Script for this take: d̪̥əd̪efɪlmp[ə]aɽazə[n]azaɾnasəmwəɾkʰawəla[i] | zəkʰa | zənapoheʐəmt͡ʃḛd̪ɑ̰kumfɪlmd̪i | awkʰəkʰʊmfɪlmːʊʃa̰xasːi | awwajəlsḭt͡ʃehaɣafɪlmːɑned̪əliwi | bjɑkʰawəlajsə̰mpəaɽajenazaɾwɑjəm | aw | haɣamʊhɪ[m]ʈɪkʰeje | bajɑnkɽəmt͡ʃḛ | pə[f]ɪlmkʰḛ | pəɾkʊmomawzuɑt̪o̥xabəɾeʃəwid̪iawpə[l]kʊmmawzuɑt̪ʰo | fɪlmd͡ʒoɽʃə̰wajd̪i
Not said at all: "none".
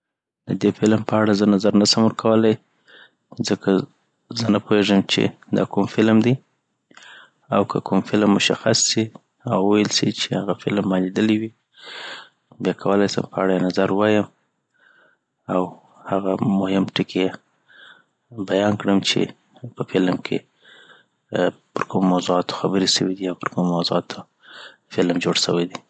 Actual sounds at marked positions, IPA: ə, n, j, m, f, ɾ

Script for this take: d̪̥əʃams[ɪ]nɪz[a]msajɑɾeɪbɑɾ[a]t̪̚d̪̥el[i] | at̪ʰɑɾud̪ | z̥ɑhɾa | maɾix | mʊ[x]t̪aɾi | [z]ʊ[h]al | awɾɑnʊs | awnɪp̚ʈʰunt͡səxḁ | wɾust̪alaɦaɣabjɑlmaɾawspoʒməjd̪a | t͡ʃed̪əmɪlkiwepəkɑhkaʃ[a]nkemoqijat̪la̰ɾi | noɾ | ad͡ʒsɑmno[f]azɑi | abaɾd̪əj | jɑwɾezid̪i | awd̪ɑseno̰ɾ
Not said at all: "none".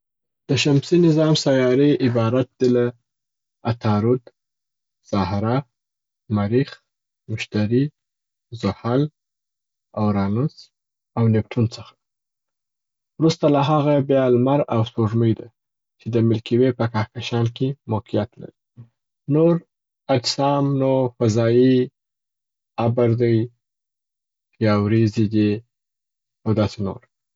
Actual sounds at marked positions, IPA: i, ɑ, a, a, ʃ, z, h, ɑ, f

